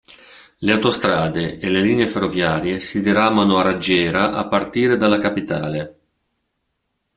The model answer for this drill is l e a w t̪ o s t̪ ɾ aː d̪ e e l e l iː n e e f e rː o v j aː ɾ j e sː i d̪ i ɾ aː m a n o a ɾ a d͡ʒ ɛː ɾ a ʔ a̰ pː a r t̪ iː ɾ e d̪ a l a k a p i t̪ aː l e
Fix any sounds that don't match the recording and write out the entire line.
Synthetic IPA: l e a w t̪ o s t̪ ɾ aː d̪ e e l e l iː n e e f e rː o v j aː ɾ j e s i d̪ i ɾ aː m a n o a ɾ a d͡ʒ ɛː ɾ a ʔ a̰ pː a r t̪ iː ɾ e d̪ a l a k a p i t̪ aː l e